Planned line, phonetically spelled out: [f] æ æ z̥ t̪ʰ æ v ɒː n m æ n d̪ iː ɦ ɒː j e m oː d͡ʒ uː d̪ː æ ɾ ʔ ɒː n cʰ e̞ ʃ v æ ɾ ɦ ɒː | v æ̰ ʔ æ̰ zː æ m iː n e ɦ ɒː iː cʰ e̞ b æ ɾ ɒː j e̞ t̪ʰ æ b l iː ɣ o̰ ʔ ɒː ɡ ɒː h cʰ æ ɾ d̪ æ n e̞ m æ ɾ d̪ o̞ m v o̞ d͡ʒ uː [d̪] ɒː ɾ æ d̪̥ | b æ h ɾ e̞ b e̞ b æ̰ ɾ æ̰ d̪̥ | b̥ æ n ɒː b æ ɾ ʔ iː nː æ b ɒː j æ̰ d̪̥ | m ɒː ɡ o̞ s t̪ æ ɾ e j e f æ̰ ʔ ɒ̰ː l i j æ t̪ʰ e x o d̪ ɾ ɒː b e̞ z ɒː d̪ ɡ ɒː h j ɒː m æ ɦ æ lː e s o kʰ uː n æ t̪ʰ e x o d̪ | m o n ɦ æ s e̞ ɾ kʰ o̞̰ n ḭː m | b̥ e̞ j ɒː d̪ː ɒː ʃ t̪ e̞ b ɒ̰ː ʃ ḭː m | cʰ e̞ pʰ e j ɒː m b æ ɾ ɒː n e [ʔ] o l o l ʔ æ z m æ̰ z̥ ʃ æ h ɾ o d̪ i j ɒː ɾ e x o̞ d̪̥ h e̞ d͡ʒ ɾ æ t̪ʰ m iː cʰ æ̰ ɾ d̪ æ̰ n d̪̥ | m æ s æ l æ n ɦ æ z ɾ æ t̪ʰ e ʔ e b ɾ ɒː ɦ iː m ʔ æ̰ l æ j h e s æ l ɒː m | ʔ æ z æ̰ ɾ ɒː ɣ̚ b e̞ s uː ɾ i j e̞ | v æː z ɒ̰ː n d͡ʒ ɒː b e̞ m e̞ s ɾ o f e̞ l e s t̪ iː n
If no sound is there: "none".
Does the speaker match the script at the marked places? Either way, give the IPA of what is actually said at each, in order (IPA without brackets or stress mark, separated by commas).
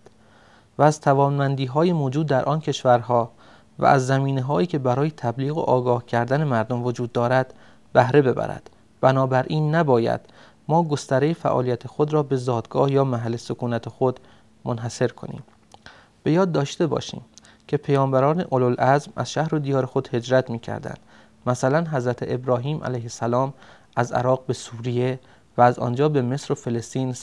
v, d̪ː, ʔ